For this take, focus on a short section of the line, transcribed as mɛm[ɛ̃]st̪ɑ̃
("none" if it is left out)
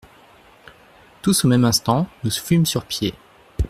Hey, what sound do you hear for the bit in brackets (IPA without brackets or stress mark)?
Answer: ɛ̃